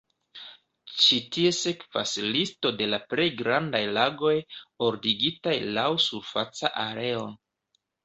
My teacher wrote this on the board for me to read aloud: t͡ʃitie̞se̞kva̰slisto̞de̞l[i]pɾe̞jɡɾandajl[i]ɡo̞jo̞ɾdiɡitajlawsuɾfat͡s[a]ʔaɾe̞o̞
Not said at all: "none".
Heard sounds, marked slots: a, a, a

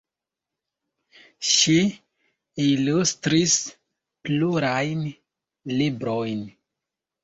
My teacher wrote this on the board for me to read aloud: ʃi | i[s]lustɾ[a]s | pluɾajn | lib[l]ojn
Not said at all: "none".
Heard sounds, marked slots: none, i, ɾ

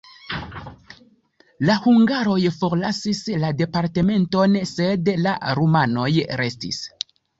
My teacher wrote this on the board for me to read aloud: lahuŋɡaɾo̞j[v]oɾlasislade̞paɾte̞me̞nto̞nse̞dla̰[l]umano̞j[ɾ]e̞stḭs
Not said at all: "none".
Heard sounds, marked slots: f, ɾ, ɾ

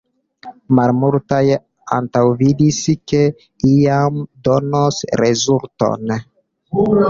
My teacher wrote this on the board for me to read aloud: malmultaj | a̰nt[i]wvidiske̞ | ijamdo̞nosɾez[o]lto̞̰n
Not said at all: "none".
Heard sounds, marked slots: a, u

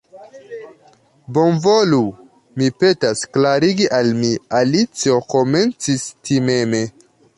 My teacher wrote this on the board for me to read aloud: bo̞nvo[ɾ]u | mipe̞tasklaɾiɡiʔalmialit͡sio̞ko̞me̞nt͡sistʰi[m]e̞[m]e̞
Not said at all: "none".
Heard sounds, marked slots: l, m, m

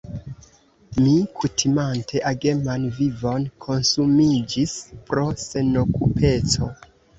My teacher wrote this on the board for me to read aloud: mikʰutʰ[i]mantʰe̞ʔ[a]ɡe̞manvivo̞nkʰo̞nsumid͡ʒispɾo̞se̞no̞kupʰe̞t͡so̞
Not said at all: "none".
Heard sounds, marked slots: i, a

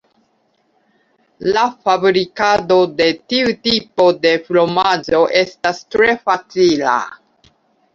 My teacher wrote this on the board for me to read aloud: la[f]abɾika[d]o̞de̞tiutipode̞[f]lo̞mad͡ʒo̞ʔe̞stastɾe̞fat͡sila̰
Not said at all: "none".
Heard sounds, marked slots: f, d, f

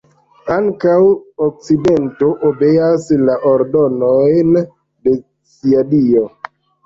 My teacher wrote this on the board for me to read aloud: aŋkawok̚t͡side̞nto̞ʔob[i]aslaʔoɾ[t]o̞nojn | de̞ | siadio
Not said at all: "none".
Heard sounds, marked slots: e, d

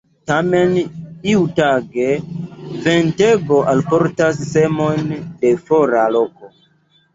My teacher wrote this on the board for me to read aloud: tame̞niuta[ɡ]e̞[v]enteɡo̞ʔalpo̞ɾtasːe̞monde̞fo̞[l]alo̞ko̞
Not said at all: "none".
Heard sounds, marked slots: ɡ, v, ɾ

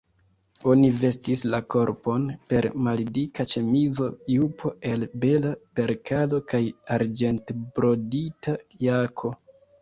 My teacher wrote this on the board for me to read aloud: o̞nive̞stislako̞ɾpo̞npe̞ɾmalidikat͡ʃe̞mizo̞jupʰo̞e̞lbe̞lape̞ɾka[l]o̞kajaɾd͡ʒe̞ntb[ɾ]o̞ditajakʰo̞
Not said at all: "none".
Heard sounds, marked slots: l, ɾ

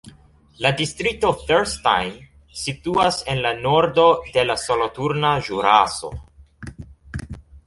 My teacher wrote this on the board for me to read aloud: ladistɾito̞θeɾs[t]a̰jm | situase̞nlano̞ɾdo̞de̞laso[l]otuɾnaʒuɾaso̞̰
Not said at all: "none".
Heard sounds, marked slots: t, l

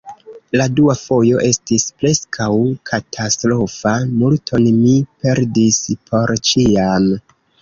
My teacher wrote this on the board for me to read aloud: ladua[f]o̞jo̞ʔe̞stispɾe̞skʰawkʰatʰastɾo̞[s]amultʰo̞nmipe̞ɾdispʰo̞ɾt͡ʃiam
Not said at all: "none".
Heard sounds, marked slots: f, f

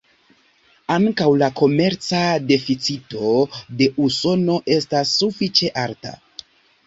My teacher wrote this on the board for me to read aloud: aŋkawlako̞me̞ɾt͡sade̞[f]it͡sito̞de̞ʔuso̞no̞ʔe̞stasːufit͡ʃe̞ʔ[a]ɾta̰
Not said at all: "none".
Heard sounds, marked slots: f, a

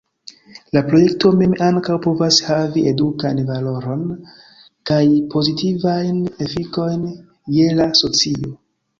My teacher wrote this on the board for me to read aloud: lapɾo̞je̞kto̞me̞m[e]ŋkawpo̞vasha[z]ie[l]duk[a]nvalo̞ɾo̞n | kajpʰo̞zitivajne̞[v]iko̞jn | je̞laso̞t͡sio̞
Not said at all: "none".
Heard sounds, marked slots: a, v, none, a, f

